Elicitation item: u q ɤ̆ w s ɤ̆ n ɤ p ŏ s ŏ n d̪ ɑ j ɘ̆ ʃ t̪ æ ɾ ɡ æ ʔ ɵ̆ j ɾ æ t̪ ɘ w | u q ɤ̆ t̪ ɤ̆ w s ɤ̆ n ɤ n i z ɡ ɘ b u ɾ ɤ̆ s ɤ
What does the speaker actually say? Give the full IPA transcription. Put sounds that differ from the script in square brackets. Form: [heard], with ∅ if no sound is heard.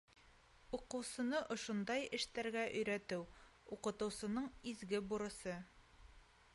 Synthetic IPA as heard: u q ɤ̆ w s ɤ̆ n ɤ [ʔ] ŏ [ʃ] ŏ n d̪ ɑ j ɘ̆ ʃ t̪ æ ɾ ɡ æ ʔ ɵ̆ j ɾ æ t̪ ɘ w | u q ɤ̆ t̪ ɤ̆ w s ɤ̆ n ɤ [ɴ] i z ɡ ɘ b u ɾ ɤ̆ s ɤ